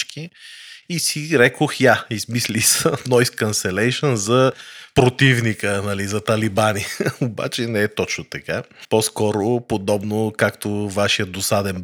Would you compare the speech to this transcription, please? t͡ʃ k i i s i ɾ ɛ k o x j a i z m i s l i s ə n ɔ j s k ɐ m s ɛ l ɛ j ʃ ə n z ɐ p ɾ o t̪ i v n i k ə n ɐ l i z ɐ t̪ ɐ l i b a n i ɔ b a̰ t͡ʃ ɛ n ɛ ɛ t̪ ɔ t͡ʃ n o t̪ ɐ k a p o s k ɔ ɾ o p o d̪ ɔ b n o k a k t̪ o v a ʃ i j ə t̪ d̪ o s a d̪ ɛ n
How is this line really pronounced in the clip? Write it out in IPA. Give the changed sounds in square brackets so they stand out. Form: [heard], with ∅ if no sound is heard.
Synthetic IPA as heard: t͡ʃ k i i s i ɾ ɛ k o x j a i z m i s l i s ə n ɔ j s k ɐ [n] s ɛ l ɛ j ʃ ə n z ɐ p ɾ o t̪ i v n i k ə n ɐ l i z ɐ t̪ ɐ l i b a n i [o] b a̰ t͡ʃ ɛ n ɛ ɛ t̪ ɔ t͡ʃ n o t̪ ɐ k a p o s k ɔ ɾ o p o d̪ ɔ b n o k a k t̪ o v a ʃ i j ə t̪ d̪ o s a d̪ ɛ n